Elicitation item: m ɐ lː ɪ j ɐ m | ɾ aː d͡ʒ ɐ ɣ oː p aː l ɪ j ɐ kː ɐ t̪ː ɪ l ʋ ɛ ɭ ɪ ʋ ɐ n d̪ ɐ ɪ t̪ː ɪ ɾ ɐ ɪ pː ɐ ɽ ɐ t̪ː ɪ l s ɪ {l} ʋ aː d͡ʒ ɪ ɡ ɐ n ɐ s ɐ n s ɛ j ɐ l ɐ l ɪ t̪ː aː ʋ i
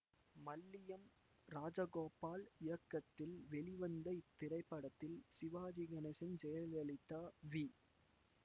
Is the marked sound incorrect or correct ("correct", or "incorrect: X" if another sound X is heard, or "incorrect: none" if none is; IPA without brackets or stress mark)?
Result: incorrect: none